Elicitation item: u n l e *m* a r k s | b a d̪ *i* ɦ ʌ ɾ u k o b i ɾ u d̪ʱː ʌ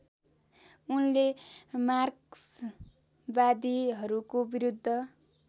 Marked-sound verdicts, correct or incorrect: correct, correct

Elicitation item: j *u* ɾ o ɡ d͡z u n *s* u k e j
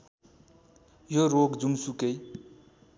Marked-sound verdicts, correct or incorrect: incorrect, correct

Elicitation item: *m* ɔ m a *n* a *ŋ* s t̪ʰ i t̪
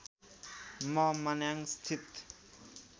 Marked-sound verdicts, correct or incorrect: correct, correct, correct

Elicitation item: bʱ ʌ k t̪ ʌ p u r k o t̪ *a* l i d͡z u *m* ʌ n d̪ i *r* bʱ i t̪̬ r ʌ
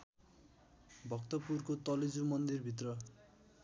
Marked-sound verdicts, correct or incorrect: incorrect, correct, correct

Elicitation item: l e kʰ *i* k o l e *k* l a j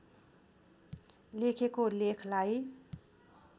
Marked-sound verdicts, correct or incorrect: incorrect, incorrect

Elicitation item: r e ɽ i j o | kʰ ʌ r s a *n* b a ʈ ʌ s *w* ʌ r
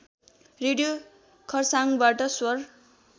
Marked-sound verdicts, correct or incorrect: incorrect, correct

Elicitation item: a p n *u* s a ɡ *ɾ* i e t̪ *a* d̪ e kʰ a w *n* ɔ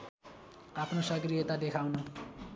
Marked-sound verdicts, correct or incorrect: incorrect, correct, correct, correct

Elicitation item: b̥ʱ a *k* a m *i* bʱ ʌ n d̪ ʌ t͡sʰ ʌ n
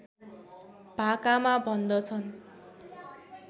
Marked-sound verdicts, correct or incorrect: correct, incorrect

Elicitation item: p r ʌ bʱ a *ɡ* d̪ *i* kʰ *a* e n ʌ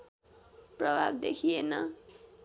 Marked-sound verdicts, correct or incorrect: incorrect, incorrect, incorrect

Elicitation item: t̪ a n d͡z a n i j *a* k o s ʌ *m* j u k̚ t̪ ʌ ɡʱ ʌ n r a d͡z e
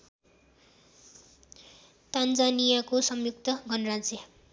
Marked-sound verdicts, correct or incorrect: correct, correct

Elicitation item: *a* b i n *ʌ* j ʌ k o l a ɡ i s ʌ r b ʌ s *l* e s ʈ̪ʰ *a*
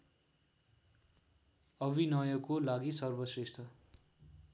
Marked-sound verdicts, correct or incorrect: incorrect, correct, incorrect, incorrect

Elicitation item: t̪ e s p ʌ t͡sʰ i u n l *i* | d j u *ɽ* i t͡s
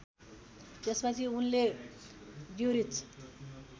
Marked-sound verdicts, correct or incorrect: incorrect, incorrect

